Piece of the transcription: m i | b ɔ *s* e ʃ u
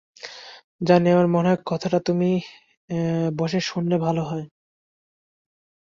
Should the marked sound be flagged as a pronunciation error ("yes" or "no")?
yes